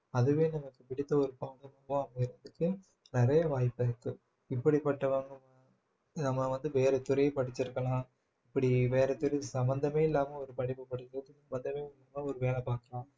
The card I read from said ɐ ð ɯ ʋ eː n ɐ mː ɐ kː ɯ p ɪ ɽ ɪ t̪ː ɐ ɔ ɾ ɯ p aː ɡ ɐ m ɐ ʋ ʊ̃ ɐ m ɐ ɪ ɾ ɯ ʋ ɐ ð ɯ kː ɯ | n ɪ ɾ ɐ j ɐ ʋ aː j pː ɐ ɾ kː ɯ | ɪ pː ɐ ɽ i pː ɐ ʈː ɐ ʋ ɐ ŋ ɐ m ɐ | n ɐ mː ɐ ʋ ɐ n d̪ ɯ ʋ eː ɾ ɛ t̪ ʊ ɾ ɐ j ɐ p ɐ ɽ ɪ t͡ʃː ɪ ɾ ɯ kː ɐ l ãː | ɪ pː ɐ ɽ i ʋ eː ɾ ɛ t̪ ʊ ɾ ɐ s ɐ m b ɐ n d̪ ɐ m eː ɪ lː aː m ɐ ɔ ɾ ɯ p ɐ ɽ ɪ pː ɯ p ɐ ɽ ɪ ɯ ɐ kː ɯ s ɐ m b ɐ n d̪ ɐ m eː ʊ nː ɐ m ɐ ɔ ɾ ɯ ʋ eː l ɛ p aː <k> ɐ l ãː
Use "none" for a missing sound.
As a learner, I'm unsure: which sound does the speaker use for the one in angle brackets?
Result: k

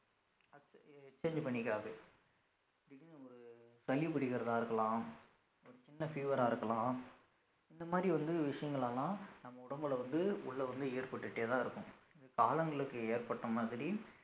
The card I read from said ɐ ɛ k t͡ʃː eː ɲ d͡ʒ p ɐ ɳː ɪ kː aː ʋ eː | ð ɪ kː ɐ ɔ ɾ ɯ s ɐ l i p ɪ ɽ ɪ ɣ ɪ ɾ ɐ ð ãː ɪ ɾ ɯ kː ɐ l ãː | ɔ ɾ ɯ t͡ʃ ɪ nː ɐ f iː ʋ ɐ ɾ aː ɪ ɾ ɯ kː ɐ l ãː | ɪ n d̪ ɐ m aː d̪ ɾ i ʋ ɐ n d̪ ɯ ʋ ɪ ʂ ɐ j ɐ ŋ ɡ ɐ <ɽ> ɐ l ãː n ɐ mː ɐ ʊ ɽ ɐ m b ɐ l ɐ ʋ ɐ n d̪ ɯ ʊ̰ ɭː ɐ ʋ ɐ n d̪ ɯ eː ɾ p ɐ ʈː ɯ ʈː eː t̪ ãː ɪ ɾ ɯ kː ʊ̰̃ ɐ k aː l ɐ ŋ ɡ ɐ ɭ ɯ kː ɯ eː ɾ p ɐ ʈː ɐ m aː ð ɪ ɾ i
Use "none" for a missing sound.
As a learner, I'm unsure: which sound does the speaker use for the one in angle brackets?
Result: ɭ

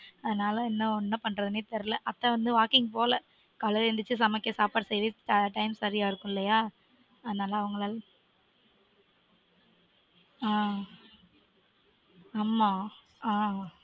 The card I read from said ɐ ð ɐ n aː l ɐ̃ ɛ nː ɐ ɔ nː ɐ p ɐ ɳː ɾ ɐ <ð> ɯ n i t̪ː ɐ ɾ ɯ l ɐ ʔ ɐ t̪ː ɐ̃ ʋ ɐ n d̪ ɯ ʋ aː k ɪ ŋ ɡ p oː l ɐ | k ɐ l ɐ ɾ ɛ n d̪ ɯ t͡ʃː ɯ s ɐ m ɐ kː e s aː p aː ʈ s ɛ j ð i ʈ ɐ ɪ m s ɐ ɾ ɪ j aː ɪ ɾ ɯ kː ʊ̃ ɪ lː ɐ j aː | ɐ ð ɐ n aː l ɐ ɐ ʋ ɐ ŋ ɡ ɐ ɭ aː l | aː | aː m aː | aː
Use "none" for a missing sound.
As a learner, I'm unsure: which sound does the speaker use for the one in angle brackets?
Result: ð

